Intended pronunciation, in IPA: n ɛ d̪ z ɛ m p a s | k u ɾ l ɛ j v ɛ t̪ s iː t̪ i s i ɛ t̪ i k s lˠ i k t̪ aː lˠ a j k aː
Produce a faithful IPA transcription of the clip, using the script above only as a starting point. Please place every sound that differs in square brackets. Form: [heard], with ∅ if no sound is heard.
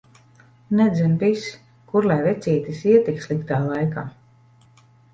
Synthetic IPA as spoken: n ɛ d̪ z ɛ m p [i] s | k u ɾ l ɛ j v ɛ t̪ s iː t̪ i s i ɛ t̪ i k s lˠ i k t̪ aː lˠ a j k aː